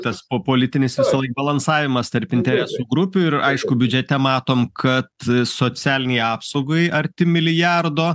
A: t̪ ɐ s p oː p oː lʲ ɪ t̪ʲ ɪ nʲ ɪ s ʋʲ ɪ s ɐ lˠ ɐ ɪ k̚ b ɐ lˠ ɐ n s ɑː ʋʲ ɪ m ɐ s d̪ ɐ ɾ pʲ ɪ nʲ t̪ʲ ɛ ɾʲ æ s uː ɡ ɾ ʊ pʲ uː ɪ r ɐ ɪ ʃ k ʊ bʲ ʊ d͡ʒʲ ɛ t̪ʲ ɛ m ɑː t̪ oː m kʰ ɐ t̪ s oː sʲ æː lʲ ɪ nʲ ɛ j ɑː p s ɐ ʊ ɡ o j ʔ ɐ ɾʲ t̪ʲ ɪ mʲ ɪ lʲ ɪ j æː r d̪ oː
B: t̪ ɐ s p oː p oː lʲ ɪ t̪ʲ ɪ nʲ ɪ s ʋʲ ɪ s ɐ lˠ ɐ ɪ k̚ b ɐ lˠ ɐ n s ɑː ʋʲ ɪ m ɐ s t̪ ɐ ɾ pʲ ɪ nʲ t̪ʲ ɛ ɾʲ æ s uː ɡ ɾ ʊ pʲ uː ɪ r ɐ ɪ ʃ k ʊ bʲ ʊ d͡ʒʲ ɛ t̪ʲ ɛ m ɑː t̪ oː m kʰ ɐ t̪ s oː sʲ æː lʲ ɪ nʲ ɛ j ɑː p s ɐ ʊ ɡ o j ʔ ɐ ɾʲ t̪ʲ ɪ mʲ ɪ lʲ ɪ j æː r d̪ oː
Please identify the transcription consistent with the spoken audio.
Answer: B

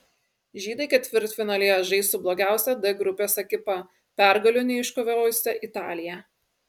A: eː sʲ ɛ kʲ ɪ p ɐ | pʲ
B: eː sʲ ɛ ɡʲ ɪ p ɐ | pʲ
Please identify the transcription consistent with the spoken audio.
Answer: A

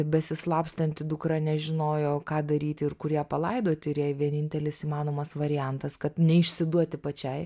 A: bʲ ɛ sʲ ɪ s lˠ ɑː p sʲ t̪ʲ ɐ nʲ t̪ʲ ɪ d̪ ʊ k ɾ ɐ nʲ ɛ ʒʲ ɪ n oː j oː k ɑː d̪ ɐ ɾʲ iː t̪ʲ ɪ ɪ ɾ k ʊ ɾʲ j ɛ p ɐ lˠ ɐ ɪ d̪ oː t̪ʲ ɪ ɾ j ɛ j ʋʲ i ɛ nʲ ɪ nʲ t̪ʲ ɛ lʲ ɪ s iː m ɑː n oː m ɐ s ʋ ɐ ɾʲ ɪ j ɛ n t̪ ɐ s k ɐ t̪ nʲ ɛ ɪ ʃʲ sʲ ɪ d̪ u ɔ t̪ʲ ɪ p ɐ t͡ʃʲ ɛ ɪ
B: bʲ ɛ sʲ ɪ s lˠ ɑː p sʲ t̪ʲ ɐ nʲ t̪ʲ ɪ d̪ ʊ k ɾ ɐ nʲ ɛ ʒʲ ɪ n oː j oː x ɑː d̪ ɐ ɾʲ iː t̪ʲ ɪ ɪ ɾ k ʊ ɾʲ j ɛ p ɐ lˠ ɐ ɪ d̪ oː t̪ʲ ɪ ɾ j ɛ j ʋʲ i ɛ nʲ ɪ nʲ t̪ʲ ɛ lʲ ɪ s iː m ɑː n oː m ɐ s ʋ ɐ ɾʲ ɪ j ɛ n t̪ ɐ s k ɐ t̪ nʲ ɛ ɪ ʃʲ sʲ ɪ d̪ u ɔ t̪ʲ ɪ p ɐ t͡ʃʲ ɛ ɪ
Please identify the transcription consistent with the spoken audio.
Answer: A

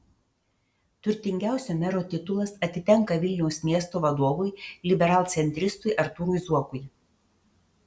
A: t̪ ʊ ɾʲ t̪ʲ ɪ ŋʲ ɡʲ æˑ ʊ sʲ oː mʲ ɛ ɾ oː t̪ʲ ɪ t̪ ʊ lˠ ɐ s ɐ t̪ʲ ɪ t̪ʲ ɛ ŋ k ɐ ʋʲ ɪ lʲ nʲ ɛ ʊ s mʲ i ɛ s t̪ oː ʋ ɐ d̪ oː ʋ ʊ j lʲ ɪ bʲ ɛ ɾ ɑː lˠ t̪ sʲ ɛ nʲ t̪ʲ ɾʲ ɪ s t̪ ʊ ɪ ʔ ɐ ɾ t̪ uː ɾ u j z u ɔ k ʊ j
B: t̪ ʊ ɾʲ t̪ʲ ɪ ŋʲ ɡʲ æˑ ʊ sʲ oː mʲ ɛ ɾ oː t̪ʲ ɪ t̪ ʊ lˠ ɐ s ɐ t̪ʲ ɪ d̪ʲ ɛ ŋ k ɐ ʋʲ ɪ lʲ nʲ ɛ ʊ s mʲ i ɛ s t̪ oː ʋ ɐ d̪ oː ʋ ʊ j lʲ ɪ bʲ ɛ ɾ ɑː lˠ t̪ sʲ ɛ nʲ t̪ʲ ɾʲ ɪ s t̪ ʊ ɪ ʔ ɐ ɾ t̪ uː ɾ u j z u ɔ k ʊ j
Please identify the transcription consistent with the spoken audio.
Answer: A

